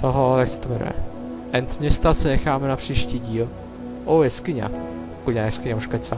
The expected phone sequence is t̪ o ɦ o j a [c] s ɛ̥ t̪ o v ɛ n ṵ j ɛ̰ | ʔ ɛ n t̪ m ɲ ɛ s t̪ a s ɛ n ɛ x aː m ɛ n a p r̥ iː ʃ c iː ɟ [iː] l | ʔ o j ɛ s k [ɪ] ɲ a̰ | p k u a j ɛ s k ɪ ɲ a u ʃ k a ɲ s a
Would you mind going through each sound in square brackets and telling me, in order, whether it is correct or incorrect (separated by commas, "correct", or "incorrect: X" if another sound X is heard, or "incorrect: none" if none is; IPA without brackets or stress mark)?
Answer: incorrect: k, correct, correct